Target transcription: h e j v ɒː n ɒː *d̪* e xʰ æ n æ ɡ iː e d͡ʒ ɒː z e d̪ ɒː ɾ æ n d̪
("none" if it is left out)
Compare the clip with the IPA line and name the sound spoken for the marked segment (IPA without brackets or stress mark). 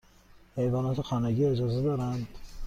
t̪